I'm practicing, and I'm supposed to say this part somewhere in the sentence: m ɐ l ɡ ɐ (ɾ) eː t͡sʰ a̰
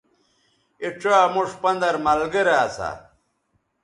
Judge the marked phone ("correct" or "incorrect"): correct